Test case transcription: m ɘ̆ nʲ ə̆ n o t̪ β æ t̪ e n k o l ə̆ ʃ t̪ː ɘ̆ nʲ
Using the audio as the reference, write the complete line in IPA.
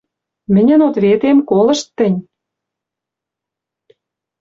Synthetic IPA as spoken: m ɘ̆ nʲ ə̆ n o t̪ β e t̪ e m k o l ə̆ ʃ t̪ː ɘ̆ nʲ